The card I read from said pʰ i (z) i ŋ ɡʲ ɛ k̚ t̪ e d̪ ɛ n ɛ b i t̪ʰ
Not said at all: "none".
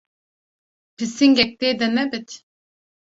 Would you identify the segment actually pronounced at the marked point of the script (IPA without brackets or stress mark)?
s